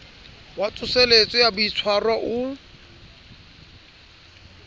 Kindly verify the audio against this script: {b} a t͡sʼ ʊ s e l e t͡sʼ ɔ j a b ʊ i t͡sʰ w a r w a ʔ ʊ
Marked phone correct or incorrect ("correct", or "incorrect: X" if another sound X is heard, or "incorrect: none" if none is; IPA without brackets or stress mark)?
incorrect: w